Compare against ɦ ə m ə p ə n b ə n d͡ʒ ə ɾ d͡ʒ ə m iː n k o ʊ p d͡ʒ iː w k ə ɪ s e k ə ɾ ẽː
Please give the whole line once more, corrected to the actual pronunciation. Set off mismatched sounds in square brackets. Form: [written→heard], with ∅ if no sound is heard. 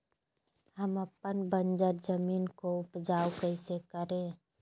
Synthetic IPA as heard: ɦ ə m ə p ə n b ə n d͡ʒ ə ɾ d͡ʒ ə m iː n k o ʊ p d͡ʒ [iː→aː] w k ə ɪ s e k ə ɾ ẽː